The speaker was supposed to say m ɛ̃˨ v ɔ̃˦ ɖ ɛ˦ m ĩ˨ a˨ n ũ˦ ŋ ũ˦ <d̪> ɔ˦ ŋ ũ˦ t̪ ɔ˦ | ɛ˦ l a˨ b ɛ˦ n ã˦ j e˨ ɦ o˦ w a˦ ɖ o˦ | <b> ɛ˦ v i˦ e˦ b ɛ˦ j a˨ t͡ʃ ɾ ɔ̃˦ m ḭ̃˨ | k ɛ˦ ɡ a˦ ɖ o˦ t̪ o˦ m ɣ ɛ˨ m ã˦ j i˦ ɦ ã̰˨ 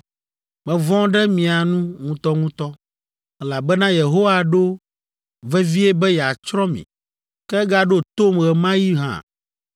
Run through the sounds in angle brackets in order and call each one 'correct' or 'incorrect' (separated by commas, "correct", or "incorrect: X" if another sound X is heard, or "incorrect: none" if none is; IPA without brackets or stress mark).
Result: incorrect: t̪, incorrect: v